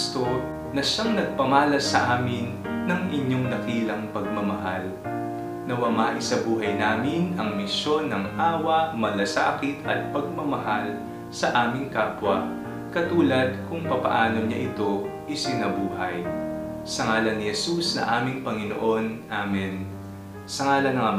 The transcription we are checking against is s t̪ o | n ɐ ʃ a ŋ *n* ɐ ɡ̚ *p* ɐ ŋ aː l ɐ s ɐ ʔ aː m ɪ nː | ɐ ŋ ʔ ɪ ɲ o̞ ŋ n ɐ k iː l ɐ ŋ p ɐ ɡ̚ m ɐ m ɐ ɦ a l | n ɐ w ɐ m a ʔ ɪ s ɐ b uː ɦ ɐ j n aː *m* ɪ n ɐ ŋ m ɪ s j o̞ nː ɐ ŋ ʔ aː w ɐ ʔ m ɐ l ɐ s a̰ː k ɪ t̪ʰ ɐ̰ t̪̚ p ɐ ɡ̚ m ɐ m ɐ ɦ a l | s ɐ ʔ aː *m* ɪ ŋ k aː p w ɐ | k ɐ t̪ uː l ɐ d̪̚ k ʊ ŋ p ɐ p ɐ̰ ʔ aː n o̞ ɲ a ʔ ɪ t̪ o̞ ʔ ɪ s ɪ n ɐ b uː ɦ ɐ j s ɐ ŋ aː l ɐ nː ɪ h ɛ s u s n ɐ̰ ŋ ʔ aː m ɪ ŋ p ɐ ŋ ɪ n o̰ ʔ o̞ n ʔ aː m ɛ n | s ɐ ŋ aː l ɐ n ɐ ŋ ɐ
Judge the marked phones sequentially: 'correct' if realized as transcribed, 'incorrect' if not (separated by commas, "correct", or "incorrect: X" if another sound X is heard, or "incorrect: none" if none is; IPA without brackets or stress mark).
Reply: correct, correct, correct, correct